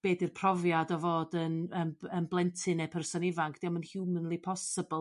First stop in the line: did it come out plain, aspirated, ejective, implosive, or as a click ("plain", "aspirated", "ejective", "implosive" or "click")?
plain